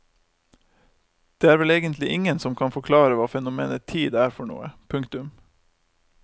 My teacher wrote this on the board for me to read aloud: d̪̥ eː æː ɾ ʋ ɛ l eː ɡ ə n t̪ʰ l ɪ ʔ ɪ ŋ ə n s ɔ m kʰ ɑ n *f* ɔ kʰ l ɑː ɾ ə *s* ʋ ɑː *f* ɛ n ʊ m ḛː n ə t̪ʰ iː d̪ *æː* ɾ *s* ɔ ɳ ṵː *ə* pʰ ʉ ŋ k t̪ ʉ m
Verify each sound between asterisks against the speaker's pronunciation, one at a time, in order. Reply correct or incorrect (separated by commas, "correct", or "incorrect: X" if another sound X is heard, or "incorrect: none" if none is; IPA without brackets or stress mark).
correct, incorrect: none, correct, correct, incorrect: f, correct